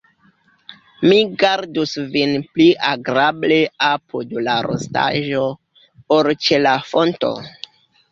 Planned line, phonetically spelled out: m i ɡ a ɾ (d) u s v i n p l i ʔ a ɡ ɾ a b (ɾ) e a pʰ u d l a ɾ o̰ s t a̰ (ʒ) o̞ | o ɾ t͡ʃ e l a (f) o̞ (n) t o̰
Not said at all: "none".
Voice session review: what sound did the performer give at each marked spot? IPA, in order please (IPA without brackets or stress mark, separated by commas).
d, l, ʒ, f, n